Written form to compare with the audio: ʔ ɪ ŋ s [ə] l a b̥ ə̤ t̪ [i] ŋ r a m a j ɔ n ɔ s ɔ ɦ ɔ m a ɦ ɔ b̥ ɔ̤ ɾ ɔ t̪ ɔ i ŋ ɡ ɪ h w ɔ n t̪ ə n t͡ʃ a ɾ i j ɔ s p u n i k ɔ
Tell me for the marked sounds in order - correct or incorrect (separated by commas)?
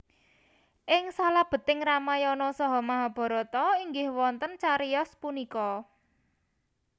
incorrect, incorrect